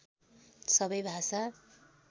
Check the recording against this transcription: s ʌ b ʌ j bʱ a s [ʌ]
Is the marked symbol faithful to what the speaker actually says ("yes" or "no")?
no